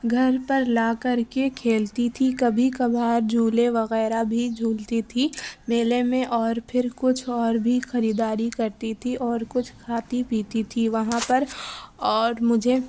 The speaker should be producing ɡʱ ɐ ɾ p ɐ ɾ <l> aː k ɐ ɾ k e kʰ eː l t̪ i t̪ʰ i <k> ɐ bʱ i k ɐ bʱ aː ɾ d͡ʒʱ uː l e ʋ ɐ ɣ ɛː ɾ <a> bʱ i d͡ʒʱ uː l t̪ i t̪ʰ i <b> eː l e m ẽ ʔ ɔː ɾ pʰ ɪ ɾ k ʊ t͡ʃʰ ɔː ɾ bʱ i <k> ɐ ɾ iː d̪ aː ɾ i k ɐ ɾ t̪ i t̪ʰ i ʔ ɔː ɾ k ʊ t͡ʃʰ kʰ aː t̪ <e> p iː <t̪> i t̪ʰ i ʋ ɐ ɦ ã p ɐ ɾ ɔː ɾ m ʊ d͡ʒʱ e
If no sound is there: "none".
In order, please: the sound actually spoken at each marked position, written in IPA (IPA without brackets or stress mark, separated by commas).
l, k, a, m, x, i, t̪